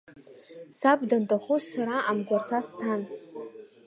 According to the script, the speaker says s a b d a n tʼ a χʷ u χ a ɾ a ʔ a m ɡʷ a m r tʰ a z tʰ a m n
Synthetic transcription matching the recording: s a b d a n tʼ a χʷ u s a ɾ a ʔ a m ɡʷ a r tʰ a s tʰ a n